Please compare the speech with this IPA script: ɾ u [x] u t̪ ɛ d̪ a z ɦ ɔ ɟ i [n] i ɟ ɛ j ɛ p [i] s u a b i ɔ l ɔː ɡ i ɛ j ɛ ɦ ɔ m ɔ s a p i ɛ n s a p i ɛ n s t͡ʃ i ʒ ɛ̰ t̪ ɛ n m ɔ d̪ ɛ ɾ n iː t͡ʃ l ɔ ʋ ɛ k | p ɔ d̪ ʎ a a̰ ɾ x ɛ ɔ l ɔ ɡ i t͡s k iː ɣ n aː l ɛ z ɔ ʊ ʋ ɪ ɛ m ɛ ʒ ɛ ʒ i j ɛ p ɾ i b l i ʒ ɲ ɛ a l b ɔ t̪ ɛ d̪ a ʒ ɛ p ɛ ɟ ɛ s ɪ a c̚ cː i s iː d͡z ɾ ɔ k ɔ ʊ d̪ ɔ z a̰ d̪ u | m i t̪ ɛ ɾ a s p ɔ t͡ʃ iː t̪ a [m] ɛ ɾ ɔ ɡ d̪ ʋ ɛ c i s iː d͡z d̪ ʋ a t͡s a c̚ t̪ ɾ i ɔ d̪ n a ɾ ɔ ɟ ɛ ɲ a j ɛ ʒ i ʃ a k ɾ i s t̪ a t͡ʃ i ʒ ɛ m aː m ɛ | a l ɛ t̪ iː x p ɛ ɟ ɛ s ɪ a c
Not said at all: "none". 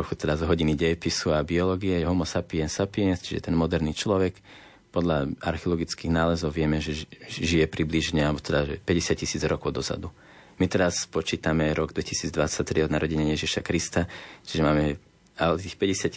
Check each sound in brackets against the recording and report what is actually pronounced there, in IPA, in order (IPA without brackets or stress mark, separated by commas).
x, n, i, m